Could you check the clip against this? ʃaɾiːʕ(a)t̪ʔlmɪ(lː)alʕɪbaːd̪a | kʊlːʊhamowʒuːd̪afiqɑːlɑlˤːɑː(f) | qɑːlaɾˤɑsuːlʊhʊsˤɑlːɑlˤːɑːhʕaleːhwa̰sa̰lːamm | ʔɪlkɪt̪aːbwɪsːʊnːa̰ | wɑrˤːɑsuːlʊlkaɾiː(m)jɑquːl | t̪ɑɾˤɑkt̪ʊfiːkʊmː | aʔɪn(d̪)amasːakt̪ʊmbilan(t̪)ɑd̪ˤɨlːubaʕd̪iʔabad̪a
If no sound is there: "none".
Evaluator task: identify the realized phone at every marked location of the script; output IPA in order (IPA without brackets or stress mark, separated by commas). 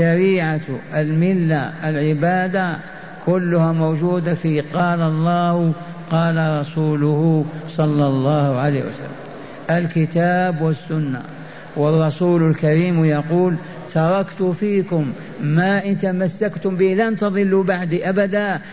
a, lː, h, m, t̪, t̪